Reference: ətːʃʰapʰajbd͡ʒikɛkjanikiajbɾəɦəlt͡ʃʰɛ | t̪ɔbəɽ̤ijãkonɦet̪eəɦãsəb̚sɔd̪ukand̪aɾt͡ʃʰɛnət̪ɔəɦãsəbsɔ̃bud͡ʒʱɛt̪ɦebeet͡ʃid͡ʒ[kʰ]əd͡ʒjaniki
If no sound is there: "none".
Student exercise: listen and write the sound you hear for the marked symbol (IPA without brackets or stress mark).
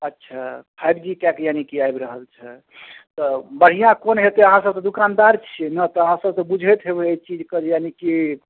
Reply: k